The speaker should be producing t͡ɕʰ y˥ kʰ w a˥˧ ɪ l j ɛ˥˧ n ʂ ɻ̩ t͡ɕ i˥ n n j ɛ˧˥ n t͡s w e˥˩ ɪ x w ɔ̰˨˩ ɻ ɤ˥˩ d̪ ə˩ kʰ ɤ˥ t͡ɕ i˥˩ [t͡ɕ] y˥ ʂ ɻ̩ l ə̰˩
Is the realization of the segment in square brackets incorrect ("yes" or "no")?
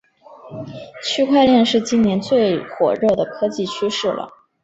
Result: yes